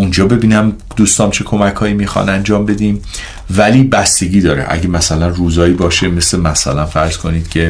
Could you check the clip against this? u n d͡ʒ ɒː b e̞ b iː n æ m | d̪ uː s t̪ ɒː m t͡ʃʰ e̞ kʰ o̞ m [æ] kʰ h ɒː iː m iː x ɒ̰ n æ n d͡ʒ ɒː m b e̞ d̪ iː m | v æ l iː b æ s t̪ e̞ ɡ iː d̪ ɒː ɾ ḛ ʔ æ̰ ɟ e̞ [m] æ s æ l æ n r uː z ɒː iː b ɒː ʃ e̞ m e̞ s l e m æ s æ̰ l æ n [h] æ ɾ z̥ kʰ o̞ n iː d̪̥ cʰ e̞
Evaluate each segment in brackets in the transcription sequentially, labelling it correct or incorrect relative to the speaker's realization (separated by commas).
correct, correct, incorrect